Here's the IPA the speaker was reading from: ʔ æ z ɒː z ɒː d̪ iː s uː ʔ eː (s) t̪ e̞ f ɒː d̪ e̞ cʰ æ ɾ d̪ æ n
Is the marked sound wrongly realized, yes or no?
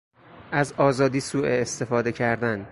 no